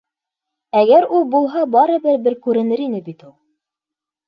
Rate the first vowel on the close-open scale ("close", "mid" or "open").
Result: open